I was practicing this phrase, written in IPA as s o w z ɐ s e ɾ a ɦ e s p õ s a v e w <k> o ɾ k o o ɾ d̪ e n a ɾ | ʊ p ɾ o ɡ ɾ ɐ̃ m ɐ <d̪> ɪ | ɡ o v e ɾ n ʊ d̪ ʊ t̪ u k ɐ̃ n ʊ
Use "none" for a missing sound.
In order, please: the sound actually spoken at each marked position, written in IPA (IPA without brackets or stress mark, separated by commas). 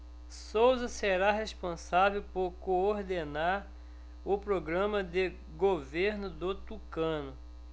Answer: p, d̪